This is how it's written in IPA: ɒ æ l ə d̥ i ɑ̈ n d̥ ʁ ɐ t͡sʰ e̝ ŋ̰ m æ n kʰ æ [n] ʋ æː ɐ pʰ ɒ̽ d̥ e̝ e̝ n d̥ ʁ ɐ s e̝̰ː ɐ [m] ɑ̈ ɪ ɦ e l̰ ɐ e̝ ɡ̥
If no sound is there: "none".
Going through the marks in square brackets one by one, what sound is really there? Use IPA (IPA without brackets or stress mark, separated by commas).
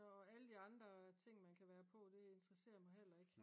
none, m